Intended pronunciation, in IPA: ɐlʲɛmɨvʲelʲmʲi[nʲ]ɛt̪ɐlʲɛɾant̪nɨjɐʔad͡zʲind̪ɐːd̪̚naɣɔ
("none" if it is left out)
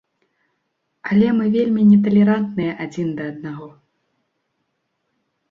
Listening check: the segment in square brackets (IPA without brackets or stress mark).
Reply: nʲ